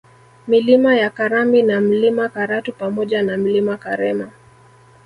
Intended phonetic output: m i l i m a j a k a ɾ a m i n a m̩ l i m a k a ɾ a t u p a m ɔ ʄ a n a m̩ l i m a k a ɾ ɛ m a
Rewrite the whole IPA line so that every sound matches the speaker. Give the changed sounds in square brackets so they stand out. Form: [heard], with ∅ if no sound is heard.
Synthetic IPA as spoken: m i l i m a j a k a ɾ a m i n a m̩ l i m a k a ɾ a t u p a m ɔ ʄ a n a m̩ l i m a k a ɾ ɛ m a

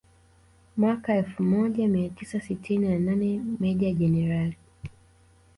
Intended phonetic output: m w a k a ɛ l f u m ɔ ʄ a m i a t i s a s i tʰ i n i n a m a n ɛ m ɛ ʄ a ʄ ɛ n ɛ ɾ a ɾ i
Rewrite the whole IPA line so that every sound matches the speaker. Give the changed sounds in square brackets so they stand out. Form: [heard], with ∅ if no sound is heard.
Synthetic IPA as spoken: m w a k a ɛ l f u m ɔ ʄ a m i a t i s a s i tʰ i n i n a [n] a n ɛ m ɛ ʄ a ʄ ɛ n ɛ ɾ a [l] i

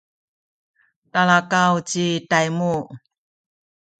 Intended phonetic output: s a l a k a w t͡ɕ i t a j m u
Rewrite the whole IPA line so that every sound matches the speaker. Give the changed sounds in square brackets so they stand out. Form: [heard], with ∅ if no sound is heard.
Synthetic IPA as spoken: [t] a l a k a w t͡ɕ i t a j m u

